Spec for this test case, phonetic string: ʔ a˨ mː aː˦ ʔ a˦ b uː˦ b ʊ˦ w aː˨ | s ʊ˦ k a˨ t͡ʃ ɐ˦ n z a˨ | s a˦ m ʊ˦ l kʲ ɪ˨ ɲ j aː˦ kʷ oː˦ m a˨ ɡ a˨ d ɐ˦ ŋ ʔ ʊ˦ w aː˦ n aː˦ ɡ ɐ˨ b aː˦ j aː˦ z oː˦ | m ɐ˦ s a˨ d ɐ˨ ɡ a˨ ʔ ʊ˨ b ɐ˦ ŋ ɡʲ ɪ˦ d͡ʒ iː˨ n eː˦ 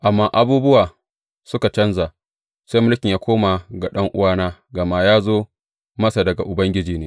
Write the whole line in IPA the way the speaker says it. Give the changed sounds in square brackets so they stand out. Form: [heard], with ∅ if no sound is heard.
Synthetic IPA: ʔ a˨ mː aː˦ ʔ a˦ b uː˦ b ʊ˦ w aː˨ | s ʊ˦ k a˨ t͡ʃ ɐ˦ n z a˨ | s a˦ m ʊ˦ l kʲ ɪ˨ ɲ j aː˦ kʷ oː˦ m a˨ ɡ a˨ [ɗ] ɐ˦ ŋ ʔ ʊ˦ w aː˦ n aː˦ ɡ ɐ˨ [m] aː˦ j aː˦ z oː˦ | m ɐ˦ s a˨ d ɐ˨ ɡ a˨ ʔ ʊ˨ b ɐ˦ ŋ ɡʲ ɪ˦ d͡ʒ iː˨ n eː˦

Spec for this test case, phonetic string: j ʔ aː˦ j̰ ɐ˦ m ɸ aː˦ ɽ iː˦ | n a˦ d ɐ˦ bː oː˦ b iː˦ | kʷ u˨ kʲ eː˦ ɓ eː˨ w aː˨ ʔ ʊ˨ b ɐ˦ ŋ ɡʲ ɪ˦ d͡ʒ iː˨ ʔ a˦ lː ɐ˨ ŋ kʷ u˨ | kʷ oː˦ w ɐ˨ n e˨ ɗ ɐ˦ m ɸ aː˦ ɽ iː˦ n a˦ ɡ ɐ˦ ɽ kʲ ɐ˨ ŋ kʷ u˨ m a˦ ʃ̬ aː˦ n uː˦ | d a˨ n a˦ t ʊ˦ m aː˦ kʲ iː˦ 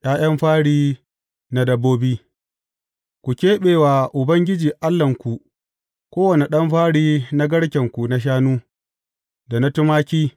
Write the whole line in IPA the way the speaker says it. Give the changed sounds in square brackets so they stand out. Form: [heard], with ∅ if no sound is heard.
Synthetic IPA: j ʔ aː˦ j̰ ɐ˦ m ɸ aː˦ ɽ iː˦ | n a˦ d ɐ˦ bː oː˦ b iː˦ | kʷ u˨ kʲ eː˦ ɓ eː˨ w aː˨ ʔ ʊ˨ b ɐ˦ ŋ ɡʲ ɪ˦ d͡ʒ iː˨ ʔ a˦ lː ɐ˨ ŋ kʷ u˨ | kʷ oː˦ w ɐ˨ n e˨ ɗ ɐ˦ m ɸ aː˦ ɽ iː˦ n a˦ ɡ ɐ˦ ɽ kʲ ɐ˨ ŋ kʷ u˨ [n] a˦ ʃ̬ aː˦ n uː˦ | d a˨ n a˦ t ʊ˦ m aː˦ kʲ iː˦

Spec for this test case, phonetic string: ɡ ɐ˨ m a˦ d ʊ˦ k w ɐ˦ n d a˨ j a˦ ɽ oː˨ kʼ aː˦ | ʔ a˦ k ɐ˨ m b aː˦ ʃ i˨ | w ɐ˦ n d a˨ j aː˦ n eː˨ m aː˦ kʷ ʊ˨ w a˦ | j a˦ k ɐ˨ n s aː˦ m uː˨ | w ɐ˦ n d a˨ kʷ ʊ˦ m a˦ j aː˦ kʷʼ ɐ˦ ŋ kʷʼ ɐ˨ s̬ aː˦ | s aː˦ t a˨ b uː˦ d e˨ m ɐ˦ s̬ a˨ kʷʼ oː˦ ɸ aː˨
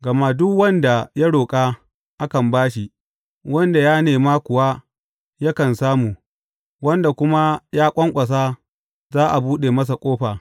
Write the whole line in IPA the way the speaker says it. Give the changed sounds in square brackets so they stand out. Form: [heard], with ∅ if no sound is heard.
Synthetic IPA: ɡ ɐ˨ m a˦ d ʊ˦ k w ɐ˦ n d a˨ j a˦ ɽ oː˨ kʼ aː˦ | ʔ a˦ k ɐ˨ m b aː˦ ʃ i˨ | w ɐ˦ n d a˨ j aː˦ n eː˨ m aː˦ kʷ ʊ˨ w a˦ | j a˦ k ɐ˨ n s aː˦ m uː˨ | w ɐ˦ n d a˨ kʷ ʊ˦ m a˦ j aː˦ kʷʼ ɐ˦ ŋ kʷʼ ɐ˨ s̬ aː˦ | [z] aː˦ [ʔ] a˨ b uː˦ [ɗ] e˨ m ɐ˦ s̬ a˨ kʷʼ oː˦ ɸ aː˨

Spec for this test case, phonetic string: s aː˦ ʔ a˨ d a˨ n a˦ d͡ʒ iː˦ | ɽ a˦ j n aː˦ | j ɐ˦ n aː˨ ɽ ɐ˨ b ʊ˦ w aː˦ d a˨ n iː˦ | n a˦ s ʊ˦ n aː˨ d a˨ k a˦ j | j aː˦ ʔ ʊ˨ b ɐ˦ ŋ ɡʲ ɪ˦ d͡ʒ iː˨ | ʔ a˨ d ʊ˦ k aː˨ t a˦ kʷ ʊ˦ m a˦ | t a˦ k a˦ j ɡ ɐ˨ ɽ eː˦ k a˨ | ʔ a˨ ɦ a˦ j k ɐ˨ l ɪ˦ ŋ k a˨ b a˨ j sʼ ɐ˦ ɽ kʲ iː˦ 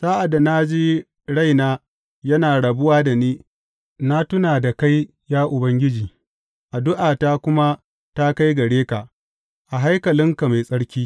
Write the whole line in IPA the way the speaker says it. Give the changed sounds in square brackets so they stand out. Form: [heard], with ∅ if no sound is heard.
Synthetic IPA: s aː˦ ʔ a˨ d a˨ n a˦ d͡ʒ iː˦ | ɽ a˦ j n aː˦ | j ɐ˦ n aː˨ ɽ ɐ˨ b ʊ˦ w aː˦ d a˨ n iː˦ | n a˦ [t] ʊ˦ n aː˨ d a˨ k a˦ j | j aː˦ ʔ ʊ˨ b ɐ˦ ŋ ɡʲ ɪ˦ d͡ʒ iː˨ | ʔ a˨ d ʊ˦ [ʔ] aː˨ t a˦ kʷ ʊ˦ m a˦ | t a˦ k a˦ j ɡ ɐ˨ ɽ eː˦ k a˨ | ʔ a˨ ɦ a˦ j k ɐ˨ l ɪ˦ ŋ k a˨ [m] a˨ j sʼ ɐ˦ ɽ kʲ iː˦

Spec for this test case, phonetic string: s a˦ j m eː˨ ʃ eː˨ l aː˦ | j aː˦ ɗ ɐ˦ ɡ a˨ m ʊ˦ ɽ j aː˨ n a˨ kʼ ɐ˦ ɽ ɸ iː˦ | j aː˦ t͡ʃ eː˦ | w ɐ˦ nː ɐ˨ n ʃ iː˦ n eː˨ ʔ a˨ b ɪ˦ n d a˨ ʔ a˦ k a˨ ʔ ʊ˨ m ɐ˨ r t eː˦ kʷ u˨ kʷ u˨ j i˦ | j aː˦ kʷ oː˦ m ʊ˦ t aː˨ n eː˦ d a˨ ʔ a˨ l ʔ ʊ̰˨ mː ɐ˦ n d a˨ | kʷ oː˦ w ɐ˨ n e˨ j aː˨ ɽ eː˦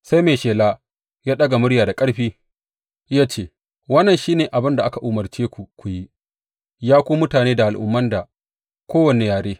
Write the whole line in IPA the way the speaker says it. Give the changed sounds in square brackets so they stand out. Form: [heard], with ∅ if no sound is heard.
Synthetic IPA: s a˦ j m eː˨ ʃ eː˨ l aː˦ | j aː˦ ɗ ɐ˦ ɡ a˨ m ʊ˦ ɽ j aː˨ [d] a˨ kʼ ɐ˦ ɽ ɸ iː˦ | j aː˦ t͡ʃ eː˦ | w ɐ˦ nː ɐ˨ n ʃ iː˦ n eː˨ ʔ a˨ b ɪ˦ n d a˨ ʔ a˦ k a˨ ʔ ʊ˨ m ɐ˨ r [t͡ʃ] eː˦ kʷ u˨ kʷ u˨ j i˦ | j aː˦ kʷ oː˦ m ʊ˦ t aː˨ n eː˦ d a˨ ʔ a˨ l ʔ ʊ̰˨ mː ɐ˦ n d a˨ | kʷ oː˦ w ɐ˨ n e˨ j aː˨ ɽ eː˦

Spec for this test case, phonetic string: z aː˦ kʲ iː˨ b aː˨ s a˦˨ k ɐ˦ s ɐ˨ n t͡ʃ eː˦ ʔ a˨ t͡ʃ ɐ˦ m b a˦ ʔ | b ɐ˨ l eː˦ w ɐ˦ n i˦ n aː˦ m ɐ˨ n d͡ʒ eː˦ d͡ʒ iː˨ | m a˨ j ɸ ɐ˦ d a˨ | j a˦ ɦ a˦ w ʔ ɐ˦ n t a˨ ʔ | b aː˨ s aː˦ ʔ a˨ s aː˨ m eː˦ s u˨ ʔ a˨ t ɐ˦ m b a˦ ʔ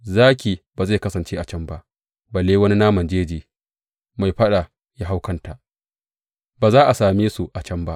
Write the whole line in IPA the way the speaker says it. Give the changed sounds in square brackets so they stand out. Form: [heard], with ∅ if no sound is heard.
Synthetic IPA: z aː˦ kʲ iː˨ b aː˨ [z] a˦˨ k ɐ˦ s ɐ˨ n t͡ʃ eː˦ ʔ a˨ t͡ʃ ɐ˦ m b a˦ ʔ | b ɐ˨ l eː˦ w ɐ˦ n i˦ n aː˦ m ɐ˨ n d͡ʒ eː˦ d͡ʒ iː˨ | m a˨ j ɸ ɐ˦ [ɗ] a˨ | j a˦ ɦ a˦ w [k] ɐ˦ n t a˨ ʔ | b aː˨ [z] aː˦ ʔ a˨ s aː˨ m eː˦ s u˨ ʔ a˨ [t͡ʃ] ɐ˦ m b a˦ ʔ

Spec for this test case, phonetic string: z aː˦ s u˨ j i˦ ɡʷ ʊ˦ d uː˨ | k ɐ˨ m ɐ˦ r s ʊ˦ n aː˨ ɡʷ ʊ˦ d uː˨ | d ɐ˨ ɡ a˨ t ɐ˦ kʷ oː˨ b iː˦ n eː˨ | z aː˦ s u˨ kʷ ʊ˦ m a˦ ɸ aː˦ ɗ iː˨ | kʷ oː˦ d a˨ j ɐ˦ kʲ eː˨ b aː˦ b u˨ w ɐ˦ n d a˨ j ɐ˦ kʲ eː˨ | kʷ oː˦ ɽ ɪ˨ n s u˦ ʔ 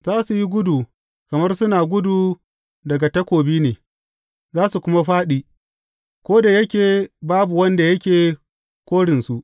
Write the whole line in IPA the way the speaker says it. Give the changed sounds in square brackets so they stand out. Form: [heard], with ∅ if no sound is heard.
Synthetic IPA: z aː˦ s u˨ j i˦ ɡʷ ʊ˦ d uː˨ | k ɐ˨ m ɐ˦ r s ʊ˦ n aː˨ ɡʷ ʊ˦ d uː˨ | d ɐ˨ ɡ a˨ t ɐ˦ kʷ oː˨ b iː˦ n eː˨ | z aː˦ s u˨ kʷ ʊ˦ m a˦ ɸ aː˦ ɗ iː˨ | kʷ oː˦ d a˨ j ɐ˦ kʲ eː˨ b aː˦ b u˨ w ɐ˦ n d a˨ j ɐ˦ kʲ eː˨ | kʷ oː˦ ɽ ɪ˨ n s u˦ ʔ

